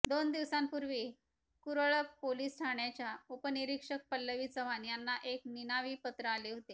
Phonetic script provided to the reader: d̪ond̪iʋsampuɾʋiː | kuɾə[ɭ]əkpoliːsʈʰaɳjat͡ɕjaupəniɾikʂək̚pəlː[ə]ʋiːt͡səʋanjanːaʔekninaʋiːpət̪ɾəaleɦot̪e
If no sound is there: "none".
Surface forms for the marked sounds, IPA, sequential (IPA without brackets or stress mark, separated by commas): ɭ, ə